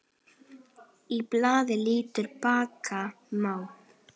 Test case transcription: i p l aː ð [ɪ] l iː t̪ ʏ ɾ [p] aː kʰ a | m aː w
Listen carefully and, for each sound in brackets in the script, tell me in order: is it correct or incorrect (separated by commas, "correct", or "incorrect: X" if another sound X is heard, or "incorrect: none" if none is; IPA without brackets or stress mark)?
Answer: correct, correct